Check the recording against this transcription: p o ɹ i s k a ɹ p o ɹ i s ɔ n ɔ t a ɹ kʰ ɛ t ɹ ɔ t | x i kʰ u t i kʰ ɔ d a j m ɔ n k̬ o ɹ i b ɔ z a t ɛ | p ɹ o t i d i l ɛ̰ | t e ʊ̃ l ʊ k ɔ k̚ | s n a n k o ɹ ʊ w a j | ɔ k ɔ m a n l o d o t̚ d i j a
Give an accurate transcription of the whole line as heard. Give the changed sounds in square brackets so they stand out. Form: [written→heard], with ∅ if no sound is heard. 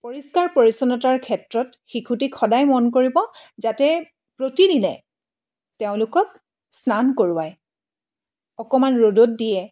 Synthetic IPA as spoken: p o ɹ i s k a ɹ p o ɹ i s ɔ n ɔ t a ɹ kʰ ɛ t ɹ ɔ t | x i kʰ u t i kʰ ɔ d a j m ɔ n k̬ o ɹ i b ɔ z a t ɛ | p ɹ o t i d i l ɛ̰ | t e ʊ̃ l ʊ k ɔ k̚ | s n a n k o ɹ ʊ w a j | ɔ k ɔ m a n [l→ɹ] o d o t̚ d i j [a→ɛ]